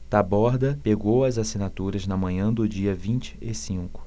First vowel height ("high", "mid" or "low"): low